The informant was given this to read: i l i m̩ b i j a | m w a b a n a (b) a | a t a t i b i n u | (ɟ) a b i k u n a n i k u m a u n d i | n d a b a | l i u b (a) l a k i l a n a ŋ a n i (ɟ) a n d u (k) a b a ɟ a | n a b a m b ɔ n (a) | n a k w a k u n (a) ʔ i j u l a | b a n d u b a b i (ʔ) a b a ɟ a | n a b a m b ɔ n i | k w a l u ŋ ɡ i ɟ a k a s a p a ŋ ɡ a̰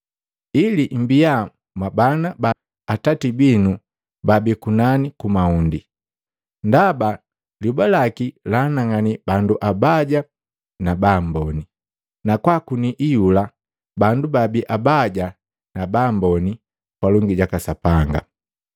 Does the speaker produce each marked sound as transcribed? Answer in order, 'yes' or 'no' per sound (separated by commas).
yes, no, yes, no, no, no, no, yes